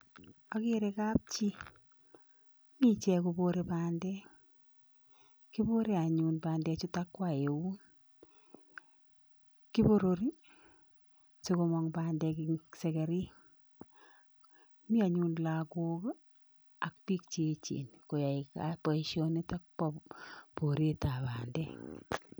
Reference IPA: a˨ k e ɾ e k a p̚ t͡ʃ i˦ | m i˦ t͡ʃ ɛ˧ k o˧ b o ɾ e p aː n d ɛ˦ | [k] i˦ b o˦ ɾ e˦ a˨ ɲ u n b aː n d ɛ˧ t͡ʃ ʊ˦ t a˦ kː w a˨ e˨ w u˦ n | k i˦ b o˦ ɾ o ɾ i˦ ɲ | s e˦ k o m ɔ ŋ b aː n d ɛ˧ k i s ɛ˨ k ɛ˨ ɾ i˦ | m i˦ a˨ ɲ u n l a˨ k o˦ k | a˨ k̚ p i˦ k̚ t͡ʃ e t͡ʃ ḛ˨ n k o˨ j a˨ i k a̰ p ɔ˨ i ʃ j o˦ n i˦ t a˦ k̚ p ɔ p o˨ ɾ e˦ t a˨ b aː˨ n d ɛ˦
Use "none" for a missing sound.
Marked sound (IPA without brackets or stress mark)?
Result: k